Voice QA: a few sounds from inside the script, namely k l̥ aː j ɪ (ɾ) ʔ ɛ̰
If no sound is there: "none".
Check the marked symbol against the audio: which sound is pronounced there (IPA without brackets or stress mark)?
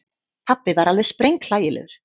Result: l